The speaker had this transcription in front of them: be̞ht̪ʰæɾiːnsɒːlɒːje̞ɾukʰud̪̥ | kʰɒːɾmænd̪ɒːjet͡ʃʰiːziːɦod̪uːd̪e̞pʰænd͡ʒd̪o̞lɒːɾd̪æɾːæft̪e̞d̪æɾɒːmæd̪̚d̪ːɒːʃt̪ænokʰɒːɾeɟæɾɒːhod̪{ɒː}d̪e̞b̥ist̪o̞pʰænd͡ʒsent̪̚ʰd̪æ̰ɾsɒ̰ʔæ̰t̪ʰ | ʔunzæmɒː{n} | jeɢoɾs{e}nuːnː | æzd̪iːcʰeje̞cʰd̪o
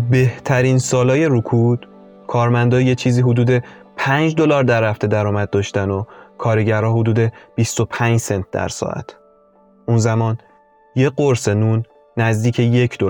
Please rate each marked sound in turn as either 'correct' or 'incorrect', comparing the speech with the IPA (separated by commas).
incorrect, correct, correct